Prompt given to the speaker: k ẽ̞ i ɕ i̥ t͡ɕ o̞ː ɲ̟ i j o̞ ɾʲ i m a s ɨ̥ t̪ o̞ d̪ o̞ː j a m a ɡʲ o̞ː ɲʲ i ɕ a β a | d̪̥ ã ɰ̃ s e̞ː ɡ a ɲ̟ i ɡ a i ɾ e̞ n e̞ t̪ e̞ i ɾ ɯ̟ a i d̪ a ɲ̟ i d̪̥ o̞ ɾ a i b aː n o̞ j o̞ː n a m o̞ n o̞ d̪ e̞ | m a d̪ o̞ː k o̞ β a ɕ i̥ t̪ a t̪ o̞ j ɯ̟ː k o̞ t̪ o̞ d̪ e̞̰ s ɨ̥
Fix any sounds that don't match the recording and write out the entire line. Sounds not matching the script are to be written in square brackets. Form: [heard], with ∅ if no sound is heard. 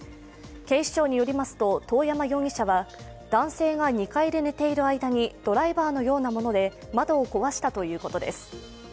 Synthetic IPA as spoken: k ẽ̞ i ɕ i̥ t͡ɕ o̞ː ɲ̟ i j o̞ ɾʲ i m a s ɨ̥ t̪ o̞ [t̪] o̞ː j a m a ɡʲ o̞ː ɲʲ i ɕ a β a | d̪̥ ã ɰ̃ s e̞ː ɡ a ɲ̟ i [k] a i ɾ e̞ n e̞ t̪ e̞ i ɾ ɯ̟ a i d̪ a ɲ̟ i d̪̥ o̞ ɾ a i b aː n o̞ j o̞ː n a m o̞ n o̞ d̪ e̞ | m a d̪ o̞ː k o̞ β a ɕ i̥ t̪ a t̪ o̞ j ɯ̟ː k o̞ t̪ o̞ d̪ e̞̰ s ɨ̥

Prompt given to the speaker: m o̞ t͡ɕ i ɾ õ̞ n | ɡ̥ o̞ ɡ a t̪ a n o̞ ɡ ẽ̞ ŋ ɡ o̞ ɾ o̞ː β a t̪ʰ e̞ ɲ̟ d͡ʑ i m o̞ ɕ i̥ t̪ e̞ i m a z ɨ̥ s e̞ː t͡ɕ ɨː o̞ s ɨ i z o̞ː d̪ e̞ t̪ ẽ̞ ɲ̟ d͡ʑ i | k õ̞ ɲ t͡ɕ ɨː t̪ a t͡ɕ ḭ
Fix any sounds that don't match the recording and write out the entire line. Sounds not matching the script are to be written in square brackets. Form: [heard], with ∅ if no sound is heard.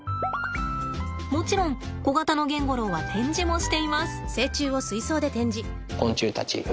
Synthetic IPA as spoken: m o̞ t͡ɕ i ɾ õ̞ [ŋ] | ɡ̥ o̞ ɡ a t̪ a n o̞ ɡ ẽ̞ ŋ ɡ o̞ ɾ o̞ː β a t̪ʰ [ẽ̞] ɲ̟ d͡ʑ i m o̞ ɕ i̥ t̪ e̞ i m a [s] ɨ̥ s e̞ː t͡ɕ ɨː o̞ s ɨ i [s] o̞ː d̪ e̞ t̪ ẽ̞ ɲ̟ d͡ʑ i | k õ̞ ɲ t͡ɕ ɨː t̪ a t͡ɕ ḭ

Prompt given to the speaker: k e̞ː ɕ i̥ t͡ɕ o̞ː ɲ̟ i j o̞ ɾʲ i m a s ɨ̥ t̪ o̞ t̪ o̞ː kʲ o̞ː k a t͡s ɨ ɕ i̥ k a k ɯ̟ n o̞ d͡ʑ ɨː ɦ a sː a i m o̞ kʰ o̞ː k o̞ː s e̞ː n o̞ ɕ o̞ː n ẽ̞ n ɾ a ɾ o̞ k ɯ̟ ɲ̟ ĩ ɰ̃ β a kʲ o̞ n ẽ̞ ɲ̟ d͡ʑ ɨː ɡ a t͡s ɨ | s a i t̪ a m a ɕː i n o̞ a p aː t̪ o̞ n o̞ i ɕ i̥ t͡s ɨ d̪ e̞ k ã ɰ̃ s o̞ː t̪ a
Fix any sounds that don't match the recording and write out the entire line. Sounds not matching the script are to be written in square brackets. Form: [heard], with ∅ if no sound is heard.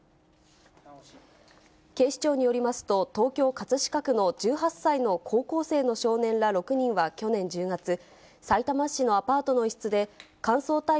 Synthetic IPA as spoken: k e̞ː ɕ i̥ t͡ɕ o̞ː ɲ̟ i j o̞ ɾʲ i m a s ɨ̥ t̪ o̞ t̪ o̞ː kʲ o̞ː k a t͡s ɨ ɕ i̥ k a k ɯ̟ n o̞ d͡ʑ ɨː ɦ a sː a i [n] o̞ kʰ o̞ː k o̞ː s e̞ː n o̞ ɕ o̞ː n ẽ̞ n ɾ a ɾ o̞ k ɯ̟ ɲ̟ ĩ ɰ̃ β a kʲ o̞ n ẽ̞ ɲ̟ d͡ʑ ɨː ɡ a t͡s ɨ | s a i t̪ a m a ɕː i n o̞ a p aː t̪ o̞ n o̞ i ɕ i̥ t͡s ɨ d̪ e̞ k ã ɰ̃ s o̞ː t̪ a

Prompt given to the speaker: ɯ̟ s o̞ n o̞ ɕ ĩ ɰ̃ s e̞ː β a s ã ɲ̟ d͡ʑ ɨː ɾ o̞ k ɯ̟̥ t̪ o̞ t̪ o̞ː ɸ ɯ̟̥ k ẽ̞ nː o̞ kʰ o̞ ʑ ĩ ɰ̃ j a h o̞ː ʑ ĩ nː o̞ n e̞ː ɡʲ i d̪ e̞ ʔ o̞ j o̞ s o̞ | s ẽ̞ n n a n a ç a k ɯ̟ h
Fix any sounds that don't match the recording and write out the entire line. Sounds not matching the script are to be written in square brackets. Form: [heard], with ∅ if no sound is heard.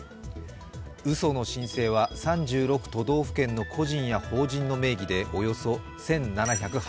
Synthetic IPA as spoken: ɯ̟ s o̞ n o̞ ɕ ĩ ɰ̃ s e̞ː β a s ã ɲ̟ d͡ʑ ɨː ɾ o̞ k ɯ̟̥ t̪ o̞ [d̪] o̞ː ɸ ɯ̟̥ k ẽ̞ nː o̞ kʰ o̞ ʑ ĩ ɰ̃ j a h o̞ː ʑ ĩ nː o̞ [m] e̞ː ɡʲ i d̪ e̞ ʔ o̞ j o̞ s o̞ | s ẽ̞ n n a n a ç a k ɯ̟ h

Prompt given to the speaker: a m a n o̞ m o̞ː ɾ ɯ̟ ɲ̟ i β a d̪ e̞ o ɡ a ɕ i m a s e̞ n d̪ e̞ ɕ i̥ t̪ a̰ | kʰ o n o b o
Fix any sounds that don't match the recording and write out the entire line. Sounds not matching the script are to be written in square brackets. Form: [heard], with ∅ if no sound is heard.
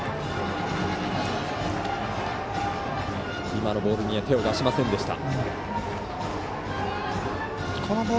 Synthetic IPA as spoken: [i] m a n o̞ [b] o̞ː ɾ ɯ̟ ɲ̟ i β a [t̪] e̞ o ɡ a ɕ i m a s [ẽ̞] n d̪ e̞ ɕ i̥ t̪ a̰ | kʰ o n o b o

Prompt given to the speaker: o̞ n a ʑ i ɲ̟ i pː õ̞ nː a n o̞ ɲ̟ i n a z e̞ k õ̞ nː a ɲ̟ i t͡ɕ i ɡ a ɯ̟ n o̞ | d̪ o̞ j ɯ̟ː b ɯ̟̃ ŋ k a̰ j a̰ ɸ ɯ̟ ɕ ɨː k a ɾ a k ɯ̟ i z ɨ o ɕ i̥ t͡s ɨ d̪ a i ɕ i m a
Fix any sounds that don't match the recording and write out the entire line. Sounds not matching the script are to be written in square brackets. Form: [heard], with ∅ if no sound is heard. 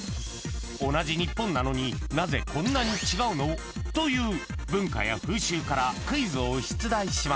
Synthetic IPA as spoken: o̞ n a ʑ i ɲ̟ i pː õ̞ nː a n o̞ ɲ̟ i n a z e̞ k õ̞ nː a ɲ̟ i t͡ɕ i ɡ a ɯ̟ n o̞ | [t̪] o̞ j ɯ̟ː b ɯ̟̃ ŋ k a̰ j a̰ ɸ [ɯ̟ː] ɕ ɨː k a ɾ a k ɯ̟ i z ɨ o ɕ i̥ t͡s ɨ d̪ a i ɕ i m a

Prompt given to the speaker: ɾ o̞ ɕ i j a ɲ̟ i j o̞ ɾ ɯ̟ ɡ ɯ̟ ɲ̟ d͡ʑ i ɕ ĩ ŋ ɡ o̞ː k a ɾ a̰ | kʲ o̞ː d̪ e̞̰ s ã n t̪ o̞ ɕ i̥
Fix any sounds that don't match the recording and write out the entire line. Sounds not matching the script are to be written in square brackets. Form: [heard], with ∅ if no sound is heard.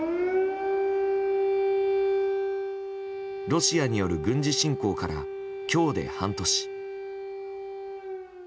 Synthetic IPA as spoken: ɾ o̞ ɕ i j a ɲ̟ i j o̞ ɾ ɯ̟ ɡ [ɯ̟̃] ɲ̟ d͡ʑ i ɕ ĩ ŋ [k] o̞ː k a ɾ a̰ | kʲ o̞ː d̪ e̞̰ [h] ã n t̪ o̞ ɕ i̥

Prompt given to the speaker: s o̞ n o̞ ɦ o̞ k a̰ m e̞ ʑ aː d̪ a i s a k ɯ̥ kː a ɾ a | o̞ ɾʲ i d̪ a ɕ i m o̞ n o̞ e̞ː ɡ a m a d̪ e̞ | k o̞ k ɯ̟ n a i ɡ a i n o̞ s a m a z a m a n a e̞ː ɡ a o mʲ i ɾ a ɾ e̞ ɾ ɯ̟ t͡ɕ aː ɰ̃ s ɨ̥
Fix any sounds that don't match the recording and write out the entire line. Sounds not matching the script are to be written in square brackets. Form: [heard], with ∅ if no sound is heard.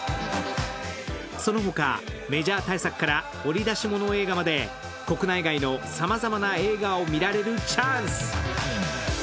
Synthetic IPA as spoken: s o̞ n o̞ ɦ o̞ k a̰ m e̞ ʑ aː [t̪] a i s a k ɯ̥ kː a ɾ a | o̞ ɾʲ i d̪ a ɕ i m o̞ n o̞ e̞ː ɡ a m a d̪ e̞ | k o̞ k ɯ̟ n a i ɡ a i n o̞ s a m a z a m a n a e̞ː ɡ a o mʲ i ɾ a ɾ e̞ ɾ ɯ̟ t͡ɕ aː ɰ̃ s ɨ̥

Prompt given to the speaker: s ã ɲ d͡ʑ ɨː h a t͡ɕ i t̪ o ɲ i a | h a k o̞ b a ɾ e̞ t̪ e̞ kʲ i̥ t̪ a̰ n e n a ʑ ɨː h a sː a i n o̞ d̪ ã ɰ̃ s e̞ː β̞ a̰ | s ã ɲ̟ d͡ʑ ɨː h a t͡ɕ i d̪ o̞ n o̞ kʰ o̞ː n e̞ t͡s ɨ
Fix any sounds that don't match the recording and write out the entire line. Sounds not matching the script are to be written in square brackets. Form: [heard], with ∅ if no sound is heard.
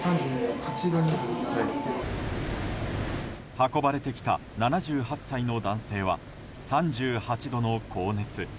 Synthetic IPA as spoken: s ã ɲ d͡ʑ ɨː h a t͡ɕ i [d̪] o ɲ i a | h a k o̞ b a ɾ e̞ t̪ e̞ kʲ i̥ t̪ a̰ n [a] n a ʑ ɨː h a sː a i n o̞ d̪ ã ɰ̃ s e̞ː β̞ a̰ | s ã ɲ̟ d͡ʑ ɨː h a t͡ɕ i d̪ o̞ n o̞ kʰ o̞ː n e̞ t͡s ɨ

